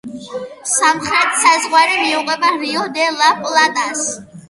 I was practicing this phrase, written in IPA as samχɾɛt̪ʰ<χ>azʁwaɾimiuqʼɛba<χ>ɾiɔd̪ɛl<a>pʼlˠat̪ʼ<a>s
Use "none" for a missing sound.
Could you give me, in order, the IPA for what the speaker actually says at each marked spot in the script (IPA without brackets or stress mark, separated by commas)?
s, none, a, a